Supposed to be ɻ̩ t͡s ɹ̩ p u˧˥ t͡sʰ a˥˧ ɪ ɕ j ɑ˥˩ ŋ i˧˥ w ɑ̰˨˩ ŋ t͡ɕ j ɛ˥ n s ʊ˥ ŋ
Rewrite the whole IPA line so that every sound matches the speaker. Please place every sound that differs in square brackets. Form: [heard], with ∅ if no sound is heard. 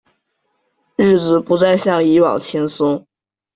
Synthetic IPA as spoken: ɻ̩ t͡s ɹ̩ p u˧˥ [t͡s] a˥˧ ɪ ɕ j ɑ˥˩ ŋ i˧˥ w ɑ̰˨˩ ŋ [t͡ɕʰ] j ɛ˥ n s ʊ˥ ŋ